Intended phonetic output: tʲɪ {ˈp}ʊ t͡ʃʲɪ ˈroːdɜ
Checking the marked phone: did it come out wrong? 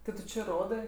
yes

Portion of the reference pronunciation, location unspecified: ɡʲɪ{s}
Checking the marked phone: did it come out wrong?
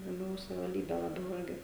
yes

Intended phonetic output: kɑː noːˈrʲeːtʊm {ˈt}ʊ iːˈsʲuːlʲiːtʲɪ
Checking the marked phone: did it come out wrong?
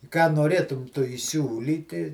no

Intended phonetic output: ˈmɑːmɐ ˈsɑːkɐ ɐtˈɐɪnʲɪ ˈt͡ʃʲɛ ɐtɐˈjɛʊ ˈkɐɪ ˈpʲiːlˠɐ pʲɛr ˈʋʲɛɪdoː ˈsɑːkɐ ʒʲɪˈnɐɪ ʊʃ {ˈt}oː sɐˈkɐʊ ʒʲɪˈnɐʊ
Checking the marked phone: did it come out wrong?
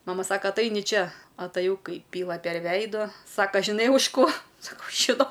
yes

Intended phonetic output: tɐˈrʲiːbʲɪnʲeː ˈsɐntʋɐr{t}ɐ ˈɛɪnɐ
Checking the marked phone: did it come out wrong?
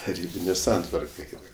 yes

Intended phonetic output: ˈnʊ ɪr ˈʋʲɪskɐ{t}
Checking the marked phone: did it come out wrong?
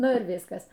yes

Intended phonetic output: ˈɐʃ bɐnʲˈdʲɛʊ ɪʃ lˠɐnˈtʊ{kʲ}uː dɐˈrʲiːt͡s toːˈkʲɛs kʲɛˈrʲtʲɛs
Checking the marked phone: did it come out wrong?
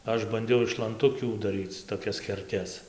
no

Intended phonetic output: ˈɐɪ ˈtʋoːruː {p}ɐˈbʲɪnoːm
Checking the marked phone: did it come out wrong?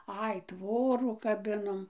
yes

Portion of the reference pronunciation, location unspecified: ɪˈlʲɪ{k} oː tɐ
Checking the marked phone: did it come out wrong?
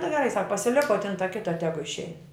no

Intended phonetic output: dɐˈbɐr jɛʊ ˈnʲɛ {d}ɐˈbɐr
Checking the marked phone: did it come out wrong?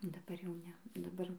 no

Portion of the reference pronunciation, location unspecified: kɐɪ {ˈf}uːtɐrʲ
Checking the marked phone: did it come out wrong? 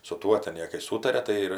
yes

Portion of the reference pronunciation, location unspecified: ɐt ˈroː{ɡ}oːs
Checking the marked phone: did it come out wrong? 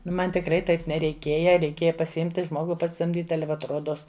yes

